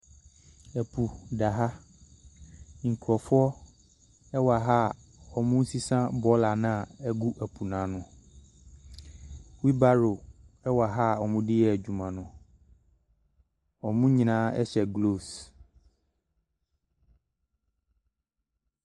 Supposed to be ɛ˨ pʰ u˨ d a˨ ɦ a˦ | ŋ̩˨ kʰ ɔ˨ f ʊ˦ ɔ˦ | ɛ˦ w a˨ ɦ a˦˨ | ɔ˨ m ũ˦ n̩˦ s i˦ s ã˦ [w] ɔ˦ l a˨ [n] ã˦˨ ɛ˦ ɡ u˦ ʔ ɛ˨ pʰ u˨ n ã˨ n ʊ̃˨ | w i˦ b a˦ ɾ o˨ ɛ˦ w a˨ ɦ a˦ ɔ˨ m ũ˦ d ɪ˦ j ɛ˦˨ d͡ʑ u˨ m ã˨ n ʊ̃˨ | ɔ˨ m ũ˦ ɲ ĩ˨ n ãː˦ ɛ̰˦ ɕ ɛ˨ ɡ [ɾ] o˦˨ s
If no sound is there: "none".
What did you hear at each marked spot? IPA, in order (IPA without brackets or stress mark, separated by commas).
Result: b, n, l